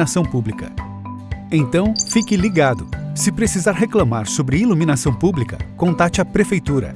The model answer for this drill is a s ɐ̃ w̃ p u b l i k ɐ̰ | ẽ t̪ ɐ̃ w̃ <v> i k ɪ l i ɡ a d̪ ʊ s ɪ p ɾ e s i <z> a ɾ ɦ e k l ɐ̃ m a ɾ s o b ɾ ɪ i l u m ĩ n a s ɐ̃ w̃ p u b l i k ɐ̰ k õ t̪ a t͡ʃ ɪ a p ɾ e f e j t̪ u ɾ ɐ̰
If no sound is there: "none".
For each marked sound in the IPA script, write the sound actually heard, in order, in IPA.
f, z

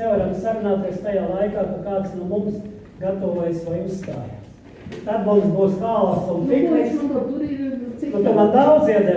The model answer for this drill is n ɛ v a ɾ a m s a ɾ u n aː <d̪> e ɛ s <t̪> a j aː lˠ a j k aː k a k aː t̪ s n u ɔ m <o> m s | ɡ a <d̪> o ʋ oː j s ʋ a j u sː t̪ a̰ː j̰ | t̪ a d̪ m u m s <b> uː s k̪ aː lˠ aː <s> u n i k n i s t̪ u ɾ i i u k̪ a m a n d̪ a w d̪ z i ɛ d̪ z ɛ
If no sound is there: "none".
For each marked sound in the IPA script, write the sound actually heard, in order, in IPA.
t̪, t̪, u, t̪, b, s

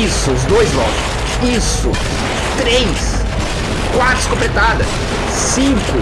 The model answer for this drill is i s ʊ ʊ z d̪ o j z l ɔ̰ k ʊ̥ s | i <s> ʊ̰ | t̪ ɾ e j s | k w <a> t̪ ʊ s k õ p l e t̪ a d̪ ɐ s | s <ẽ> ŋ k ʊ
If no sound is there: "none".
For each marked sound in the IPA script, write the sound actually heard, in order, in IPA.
s, a, ĩ

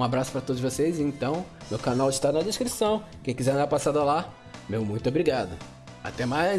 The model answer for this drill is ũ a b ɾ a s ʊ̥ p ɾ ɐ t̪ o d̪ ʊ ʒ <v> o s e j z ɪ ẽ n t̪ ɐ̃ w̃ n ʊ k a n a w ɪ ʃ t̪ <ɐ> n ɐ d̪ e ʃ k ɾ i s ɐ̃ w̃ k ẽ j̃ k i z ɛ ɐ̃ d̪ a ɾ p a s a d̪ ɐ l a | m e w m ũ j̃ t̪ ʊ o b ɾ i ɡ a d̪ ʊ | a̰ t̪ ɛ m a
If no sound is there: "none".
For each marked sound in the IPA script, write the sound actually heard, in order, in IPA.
v, a

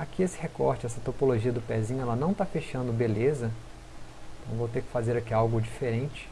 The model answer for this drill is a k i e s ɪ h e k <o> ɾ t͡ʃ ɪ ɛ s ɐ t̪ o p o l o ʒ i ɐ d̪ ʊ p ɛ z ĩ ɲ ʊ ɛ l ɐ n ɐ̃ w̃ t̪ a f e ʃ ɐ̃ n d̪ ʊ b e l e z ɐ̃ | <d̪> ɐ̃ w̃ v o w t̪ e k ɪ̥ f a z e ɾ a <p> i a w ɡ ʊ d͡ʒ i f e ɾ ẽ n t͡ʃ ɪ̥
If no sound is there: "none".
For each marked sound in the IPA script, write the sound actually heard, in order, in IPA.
ɔ, t̪, k

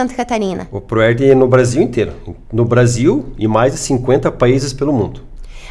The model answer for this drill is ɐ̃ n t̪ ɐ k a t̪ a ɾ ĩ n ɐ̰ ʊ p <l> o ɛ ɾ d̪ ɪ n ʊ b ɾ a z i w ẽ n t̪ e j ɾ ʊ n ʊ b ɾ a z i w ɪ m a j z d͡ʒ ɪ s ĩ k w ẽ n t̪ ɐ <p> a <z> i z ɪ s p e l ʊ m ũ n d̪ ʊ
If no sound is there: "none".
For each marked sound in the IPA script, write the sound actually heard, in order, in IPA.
ɾ, p, none

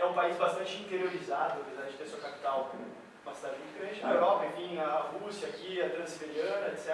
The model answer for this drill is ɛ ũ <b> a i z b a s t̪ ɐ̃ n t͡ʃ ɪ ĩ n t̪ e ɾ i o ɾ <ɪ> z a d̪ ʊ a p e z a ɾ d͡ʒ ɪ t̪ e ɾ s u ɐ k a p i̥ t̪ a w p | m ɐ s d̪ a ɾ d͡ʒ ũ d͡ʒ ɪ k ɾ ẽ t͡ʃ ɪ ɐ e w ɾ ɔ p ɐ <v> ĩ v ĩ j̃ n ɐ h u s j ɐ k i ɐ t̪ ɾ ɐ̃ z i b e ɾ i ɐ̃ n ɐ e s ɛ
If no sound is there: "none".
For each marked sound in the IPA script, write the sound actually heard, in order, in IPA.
p, i, none

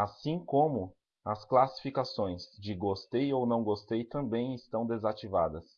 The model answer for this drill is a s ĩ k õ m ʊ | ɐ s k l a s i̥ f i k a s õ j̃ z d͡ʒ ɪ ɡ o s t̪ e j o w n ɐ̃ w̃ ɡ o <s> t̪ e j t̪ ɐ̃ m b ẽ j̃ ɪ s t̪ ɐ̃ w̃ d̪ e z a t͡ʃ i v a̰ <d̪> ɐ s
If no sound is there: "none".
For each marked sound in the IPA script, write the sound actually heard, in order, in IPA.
s, d̪

